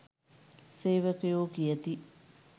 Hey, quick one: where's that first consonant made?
tongue tip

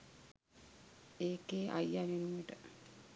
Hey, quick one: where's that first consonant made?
velum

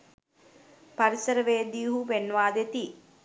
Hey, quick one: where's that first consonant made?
lips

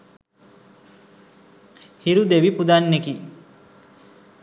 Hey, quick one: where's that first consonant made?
throat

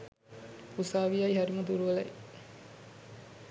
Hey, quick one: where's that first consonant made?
tongue tip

